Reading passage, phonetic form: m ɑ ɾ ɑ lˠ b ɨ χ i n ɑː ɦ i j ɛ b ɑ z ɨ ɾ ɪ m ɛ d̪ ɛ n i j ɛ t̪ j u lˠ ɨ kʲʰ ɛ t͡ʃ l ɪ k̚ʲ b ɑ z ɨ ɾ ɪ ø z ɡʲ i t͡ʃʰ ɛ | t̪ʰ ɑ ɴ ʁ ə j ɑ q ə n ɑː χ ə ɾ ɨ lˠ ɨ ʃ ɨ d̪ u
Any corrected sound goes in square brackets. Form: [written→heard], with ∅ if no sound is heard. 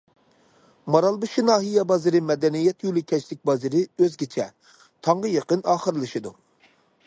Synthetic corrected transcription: m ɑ ɾ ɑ lˠ b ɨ [χ→ʃ] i n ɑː ɦ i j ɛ b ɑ z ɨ ɾ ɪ m ɛ d̪ ɛ n i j ɛ t̪ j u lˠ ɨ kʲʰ ɛ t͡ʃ l ɪ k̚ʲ b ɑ z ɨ ɾ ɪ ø z ɡʲ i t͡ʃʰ ɛ | t̪ʰ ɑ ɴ ʁ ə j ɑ q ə n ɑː χ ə ɾ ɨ lˠ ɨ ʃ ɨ d̪ u